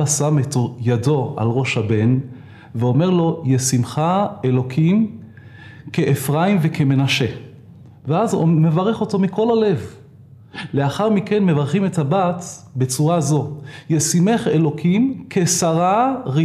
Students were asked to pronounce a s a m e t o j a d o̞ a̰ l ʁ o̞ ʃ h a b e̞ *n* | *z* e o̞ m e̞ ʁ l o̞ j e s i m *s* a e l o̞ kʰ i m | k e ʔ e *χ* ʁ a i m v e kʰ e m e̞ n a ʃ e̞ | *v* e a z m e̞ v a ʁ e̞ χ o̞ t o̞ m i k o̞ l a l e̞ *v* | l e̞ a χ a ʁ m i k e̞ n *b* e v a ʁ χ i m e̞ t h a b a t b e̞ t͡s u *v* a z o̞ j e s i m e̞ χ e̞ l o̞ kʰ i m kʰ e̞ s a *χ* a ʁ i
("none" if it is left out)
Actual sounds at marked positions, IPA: n, v, χ, f, v, v, m, ʁ, ʁ

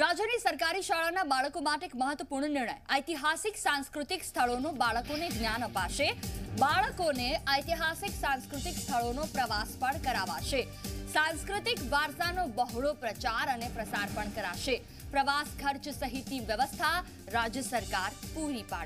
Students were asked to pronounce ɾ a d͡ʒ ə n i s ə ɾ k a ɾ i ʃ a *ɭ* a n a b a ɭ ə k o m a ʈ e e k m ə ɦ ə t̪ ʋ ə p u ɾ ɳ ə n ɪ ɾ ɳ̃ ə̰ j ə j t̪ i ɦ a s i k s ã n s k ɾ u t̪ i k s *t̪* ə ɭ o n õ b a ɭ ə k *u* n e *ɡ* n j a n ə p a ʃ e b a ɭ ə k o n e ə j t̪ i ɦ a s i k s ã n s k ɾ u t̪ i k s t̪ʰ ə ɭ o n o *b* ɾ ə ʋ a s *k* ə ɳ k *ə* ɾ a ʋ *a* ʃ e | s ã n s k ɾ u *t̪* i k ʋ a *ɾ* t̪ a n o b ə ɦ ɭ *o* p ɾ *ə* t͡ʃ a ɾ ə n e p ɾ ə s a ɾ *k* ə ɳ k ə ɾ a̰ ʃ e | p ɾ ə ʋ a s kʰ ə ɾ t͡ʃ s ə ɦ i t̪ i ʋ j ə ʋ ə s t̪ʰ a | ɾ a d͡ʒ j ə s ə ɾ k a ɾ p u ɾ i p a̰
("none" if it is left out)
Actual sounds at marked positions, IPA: ɭ, t̪ʰ, o, ɡ, p, p, ə, a, t̪, ɾ, o, ə, p

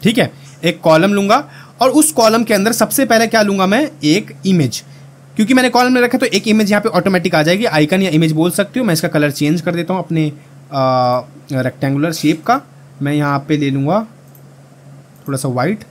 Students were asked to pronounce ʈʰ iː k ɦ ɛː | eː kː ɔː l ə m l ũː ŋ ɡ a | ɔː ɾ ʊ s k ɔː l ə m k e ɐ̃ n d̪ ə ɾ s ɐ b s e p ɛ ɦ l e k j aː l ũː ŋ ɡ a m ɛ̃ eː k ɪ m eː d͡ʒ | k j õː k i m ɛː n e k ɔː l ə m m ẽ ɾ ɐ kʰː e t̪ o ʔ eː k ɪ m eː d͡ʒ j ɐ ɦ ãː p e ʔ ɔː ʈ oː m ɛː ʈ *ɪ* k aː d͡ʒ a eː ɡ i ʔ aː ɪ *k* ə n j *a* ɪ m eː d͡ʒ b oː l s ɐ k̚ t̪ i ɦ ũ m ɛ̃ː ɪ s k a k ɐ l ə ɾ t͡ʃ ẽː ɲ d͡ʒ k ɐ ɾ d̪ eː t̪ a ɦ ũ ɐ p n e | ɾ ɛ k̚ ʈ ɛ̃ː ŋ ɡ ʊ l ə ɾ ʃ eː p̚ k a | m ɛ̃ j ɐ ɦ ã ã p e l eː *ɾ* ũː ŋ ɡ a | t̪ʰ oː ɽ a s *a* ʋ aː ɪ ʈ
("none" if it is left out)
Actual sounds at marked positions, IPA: ɪ, k, a, l, a

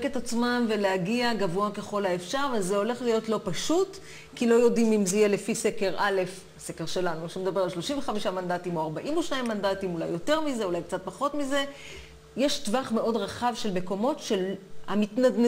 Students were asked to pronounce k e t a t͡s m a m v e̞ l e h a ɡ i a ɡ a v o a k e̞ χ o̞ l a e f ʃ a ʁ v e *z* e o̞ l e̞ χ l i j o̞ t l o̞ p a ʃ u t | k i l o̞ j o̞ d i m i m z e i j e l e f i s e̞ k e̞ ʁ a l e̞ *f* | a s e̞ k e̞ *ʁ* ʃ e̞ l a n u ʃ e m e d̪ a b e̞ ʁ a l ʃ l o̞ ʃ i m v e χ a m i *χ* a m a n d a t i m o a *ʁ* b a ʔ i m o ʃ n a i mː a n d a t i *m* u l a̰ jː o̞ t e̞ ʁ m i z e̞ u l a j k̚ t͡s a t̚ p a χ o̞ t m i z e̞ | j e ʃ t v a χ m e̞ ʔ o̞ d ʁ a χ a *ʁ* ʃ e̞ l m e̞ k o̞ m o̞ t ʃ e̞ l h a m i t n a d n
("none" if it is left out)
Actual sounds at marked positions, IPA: z, f, ʁ, ʃ, ʁ, m, v

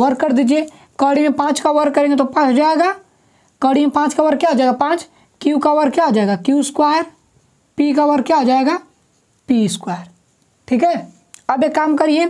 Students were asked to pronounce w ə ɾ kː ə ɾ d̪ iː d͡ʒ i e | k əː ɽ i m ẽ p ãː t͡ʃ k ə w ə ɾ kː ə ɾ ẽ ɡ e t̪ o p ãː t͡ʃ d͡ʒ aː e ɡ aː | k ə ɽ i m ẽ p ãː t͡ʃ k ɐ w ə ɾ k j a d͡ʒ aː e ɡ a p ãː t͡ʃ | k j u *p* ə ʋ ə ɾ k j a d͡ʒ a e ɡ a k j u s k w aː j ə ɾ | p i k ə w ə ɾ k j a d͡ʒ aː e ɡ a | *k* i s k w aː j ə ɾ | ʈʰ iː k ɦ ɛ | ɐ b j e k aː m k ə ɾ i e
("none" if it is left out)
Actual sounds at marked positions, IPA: k, p

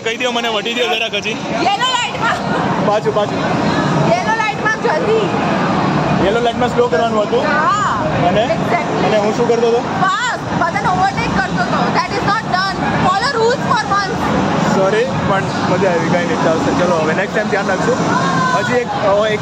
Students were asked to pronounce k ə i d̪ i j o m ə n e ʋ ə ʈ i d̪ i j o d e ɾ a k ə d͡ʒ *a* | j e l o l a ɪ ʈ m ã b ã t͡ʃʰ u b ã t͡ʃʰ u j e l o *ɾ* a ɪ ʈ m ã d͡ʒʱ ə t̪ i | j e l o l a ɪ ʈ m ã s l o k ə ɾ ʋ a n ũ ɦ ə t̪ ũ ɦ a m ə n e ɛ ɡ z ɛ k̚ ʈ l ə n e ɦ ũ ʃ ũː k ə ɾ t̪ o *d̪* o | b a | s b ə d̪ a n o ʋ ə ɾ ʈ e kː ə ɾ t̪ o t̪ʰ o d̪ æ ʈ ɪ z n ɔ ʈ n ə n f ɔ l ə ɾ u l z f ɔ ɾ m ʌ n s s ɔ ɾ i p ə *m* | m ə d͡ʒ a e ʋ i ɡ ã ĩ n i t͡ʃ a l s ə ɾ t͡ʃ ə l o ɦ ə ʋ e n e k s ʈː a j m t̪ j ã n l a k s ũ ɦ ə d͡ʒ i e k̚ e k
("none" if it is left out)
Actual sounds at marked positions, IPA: i, l, t̪, ɳ

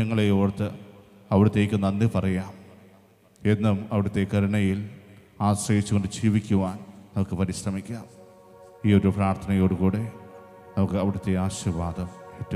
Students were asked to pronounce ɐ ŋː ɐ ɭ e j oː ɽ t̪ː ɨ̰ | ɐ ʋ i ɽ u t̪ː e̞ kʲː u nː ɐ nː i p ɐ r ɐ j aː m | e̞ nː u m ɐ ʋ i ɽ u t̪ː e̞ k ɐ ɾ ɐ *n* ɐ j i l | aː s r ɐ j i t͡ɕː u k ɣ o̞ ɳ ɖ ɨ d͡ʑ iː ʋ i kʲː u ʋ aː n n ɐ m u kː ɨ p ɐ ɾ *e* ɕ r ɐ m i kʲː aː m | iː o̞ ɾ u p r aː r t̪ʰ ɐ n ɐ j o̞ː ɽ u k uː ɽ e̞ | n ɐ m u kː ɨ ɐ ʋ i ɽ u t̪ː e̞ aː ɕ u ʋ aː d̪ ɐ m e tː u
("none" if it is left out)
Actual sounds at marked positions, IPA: ɳ, i

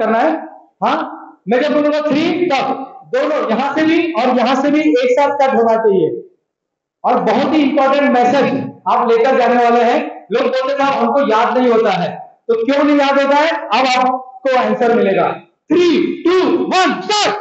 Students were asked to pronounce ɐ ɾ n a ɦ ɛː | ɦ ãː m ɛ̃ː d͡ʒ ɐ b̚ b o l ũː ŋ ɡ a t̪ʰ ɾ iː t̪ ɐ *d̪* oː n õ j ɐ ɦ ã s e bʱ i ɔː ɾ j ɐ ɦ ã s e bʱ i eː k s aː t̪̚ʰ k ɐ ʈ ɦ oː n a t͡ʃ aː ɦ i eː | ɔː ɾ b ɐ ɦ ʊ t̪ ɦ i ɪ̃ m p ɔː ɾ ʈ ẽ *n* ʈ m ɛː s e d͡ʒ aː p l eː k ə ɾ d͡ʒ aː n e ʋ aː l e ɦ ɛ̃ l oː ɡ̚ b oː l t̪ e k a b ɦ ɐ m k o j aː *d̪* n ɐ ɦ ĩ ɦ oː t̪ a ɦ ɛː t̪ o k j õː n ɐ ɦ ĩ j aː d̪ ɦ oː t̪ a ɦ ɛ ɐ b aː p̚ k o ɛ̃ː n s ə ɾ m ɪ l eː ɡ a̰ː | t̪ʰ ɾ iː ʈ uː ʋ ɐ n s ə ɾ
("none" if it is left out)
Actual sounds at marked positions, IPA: d̪, ɳ, d̪

